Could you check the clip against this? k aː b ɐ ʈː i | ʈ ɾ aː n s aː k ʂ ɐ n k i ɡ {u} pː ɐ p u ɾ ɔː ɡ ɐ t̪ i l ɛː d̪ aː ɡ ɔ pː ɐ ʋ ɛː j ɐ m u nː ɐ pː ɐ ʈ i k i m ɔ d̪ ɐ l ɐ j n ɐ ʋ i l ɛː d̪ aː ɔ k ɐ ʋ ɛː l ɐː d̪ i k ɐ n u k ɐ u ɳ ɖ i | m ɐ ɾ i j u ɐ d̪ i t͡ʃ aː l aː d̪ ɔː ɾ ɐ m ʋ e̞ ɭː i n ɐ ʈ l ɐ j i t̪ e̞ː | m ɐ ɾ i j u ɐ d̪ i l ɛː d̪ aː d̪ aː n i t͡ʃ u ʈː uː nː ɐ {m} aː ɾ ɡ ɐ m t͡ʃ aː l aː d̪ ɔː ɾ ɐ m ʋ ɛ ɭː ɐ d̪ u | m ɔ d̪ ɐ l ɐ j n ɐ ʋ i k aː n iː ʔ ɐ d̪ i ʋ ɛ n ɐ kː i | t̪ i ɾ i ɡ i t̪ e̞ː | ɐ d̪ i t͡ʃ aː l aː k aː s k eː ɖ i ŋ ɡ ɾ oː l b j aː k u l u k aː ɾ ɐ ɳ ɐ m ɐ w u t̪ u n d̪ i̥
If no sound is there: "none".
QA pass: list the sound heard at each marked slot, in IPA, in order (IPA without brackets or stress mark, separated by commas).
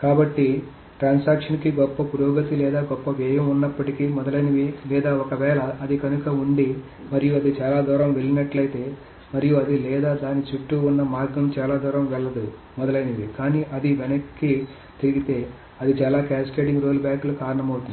ɔ, m